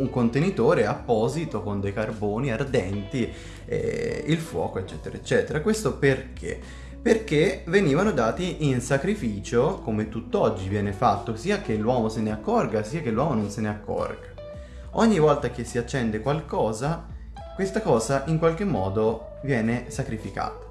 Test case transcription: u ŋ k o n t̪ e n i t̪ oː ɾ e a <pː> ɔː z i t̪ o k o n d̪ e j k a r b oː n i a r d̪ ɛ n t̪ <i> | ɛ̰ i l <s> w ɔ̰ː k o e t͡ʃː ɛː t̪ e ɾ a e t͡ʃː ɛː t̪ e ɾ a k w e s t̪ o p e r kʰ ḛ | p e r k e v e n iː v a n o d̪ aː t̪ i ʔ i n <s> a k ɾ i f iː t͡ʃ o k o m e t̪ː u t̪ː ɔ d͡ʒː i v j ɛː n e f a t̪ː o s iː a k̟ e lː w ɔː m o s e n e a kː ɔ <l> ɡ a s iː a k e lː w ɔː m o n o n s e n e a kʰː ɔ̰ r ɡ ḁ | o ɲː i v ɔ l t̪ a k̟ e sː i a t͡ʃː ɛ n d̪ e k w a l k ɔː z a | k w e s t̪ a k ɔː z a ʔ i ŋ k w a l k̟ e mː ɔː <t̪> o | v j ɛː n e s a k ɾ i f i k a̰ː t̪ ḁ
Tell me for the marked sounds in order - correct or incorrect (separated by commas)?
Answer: correct, correct, incorrect, correct, incorrect, incorrect